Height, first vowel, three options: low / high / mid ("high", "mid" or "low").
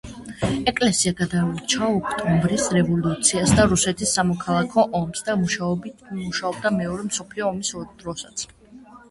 mid